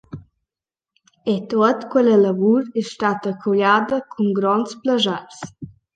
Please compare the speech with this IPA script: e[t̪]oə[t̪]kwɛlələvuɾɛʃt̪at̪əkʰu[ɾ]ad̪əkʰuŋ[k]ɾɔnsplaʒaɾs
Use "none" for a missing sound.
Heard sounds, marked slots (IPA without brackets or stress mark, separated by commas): t̪, t̪, ʎ, ɡ